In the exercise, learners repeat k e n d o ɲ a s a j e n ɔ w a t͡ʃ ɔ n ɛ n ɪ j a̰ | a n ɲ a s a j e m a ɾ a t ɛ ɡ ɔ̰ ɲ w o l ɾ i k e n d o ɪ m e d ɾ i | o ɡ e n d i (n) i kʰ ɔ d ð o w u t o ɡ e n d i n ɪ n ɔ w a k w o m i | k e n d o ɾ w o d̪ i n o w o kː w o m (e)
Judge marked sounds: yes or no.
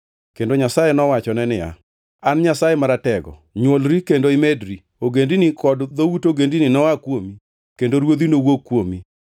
yes, no

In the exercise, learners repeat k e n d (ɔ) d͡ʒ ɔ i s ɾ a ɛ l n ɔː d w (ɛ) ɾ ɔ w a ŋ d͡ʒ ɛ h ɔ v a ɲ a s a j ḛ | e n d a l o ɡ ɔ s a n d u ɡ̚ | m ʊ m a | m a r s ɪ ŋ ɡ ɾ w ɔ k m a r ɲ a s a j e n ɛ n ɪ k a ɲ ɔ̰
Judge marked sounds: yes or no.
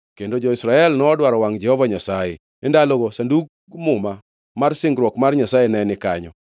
no, no

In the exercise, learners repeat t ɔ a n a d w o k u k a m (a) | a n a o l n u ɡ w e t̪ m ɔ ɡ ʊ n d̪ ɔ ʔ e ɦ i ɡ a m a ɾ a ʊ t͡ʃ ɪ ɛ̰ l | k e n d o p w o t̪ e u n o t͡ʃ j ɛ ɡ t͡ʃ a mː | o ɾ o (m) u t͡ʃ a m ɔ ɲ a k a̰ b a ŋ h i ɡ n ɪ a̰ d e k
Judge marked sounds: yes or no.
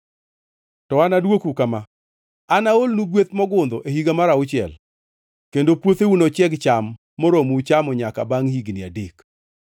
yes, yes

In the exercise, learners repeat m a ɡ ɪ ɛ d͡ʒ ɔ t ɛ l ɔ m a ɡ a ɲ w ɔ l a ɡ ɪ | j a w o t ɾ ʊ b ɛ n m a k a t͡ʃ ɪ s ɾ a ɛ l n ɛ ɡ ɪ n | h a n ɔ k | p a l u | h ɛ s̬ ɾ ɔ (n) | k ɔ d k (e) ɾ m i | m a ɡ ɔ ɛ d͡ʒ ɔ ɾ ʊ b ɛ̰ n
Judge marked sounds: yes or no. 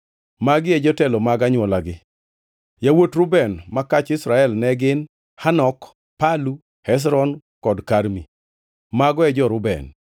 yes, no

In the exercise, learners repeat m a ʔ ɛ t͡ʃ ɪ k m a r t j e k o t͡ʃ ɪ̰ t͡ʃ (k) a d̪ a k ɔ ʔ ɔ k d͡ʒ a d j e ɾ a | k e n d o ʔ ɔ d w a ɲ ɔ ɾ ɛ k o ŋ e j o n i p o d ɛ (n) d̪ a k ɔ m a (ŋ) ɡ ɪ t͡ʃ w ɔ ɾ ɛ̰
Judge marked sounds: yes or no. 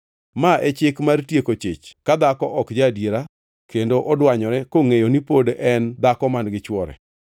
yes, yes, no

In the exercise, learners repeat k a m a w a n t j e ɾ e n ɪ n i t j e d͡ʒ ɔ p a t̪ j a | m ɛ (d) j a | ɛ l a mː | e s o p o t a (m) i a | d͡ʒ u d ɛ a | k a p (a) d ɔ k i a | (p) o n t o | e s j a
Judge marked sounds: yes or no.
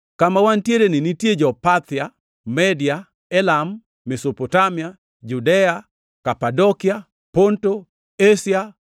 yes, yes, yes, yes

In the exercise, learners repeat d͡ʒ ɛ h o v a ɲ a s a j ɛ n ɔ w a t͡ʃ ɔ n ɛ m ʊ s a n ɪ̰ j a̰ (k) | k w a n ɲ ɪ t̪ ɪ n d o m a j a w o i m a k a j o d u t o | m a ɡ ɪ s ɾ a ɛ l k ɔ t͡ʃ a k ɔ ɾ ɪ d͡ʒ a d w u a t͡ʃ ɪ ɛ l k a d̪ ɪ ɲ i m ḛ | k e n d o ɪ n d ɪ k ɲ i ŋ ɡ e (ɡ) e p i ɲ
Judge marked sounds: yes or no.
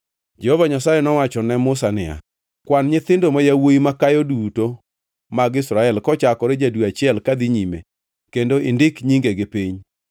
no, yes

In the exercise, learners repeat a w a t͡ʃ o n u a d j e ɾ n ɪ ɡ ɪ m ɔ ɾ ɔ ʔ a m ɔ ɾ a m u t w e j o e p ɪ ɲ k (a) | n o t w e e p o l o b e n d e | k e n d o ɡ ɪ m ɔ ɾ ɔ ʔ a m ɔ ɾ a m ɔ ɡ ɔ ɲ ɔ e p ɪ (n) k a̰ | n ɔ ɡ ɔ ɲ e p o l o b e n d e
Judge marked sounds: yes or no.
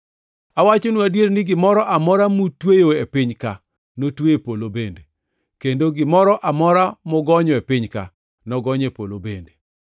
yes, no

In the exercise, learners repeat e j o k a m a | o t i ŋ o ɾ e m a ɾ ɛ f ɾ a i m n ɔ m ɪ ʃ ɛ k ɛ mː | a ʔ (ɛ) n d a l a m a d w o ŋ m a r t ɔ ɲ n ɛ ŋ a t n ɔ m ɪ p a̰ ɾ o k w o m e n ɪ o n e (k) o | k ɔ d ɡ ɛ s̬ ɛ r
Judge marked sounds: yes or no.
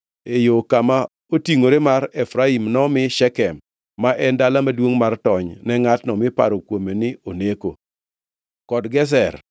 yes, yes

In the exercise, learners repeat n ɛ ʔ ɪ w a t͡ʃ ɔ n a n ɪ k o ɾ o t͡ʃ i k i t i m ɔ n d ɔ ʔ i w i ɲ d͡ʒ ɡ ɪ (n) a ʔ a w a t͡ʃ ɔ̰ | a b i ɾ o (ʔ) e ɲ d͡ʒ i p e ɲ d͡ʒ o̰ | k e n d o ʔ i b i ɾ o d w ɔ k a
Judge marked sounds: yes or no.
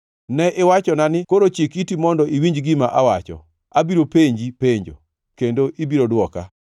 no, no

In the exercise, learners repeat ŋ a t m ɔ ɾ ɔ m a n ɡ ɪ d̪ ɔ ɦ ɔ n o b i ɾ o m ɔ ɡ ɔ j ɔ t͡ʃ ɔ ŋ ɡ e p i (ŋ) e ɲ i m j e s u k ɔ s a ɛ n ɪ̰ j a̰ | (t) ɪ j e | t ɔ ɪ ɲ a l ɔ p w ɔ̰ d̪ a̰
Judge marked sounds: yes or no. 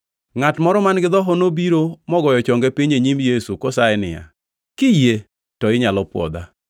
no, no

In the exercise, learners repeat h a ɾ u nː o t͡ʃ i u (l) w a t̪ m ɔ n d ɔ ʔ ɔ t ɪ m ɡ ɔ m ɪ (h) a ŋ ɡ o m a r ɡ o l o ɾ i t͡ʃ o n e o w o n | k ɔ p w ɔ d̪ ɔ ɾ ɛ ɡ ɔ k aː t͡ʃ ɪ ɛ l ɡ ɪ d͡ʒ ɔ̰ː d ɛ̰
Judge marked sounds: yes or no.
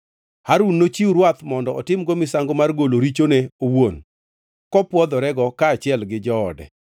no, no

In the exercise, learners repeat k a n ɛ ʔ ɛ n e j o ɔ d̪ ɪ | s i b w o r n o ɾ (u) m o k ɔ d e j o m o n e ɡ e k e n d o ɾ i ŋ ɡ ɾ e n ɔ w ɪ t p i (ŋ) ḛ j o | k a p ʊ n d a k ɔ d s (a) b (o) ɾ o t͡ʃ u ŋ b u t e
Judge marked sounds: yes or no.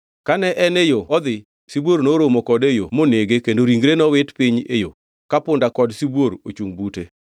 no, no, no, yes

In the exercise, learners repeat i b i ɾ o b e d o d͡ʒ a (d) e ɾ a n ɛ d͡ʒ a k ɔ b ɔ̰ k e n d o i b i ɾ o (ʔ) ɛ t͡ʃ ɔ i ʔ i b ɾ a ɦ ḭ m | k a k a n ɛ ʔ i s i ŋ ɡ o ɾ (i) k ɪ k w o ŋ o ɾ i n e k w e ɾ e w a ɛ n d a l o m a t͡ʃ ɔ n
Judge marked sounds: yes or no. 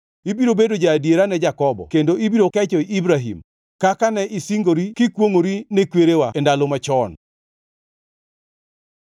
yes, no, yes

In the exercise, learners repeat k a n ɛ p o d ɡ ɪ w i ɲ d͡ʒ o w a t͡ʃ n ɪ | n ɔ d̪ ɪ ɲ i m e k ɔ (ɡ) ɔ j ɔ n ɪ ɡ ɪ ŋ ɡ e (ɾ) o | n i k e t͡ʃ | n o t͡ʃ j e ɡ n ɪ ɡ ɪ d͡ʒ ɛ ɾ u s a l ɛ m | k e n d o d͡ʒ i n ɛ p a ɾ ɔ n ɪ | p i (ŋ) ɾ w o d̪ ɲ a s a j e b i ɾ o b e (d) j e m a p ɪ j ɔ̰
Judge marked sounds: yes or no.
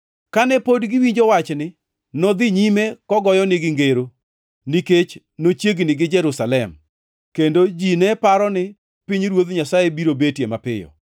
yes, yes, no, no

